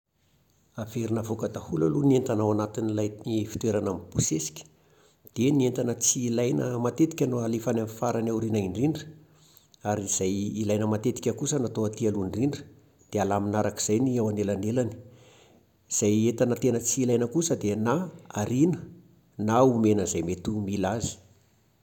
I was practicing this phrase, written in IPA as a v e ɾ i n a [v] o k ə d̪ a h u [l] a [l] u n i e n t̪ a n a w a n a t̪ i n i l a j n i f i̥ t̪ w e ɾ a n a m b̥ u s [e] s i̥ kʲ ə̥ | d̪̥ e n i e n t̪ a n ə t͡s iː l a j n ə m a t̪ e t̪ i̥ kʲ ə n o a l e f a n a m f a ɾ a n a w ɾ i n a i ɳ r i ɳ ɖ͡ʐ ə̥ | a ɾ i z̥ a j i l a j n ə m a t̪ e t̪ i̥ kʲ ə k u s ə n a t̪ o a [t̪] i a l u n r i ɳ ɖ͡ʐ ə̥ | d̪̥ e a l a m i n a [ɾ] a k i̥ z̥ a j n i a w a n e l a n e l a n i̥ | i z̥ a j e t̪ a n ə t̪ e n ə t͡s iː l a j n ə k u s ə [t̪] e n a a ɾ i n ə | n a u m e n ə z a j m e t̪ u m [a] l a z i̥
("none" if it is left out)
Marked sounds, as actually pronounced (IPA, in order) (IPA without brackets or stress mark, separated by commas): v, l, l, e, t̪, ɾ, d̪, i